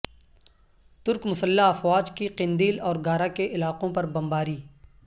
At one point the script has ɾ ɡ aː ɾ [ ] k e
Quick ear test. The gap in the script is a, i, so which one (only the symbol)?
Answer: a